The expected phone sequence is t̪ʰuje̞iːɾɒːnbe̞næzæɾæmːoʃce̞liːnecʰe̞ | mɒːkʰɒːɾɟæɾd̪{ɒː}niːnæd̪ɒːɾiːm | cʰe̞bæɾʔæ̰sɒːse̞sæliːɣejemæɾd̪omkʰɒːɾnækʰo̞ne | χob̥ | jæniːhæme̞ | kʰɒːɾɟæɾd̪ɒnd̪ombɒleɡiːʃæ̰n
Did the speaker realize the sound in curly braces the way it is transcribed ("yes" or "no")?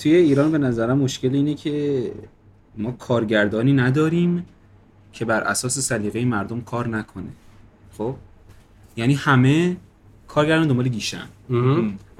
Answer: yes